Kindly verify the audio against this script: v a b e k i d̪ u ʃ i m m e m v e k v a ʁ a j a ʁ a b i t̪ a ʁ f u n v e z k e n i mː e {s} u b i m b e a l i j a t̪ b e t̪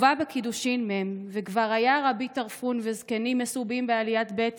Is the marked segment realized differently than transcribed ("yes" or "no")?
no